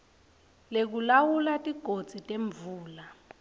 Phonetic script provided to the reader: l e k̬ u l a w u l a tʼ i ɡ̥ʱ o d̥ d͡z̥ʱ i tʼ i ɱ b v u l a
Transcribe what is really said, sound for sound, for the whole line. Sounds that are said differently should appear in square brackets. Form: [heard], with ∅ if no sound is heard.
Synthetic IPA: l e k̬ u l a w u l a tʼ i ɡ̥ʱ o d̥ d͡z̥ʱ i tʼ [e] ɱ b v [uː] l a